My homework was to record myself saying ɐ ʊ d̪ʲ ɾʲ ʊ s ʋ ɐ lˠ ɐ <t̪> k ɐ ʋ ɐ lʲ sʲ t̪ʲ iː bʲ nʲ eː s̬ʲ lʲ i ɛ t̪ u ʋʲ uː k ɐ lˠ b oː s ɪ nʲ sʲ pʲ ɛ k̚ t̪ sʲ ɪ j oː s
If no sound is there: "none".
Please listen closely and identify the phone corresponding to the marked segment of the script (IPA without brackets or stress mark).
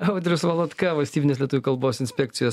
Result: t̪